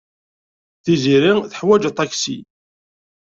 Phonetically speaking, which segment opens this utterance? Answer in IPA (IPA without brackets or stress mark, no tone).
θ